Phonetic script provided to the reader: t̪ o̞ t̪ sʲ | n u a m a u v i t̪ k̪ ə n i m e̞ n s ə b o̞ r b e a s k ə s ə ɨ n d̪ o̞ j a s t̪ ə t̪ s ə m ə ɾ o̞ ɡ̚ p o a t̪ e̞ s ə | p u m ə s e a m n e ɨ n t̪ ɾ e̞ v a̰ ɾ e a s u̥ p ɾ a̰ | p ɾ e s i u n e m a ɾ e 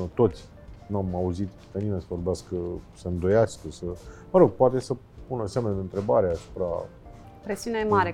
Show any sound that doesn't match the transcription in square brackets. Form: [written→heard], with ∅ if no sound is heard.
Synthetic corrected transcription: t̪ o̞ t̪ sʲ | n u a m a u [v→z] i t̪ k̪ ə n i m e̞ n s ə [b→v] o̞ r b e a s k ə s ə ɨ n d̪ o̞ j a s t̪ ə [t̪→∅] s ə m ə ɾ o̞ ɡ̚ p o a t̪ e̞ s ə | p u [m→n] ə s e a m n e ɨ n t̪ ɾ e̞ [v→b] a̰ ɾ e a s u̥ p ɾ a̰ | p ɾ e s i u n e m a ɾ e